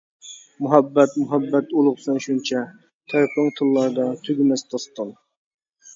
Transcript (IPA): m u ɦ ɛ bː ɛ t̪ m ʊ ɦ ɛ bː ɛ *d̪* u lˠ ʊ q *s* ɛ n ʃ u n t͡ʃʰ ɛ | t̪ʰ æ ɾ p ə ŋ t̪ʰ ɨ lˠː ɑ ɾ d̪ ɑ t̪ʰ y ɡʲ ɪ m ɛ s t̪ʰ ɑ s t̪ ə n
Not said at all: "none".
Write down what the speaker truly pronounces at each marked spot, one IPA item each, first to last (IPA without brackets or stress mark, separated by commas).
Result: t̪, s